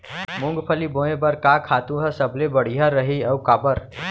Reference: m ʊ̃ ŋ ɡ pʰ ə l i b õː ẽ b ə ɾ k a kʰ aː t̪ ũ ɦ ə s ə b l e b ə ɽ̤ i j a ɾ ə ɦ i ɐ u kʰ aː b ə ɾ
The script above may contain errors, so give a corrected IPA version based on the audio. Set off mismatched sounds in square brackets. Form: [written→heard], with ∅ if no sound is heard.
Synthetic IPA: m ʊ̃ ŋ ɡ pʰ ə l i b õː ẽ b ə ɾ k a kʰ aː t̪ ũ ɦ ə s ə b l e b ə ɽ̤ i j a ɾ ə ɦ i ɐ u [kʰ→k] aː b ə ɾ